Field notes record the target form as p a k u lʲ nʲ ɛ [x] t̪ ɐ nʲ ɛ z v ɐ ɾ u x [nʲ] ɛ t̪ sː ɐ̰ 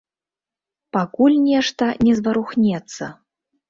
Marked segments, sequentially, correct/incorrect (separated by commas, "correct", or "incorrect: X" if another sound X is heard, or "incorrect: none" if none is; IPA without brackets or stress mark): incorrect: ʂ, correct